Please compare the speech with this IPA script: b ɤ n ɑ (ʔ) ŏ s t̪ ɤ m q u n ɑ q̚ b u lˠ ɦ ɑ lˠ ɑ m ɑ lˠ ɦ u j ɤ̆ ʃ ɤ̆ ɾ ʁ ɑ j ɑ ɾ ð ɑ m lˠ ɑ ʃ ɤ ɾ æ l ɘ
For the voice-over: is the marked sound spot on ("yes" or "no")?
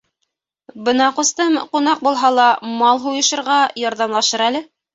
no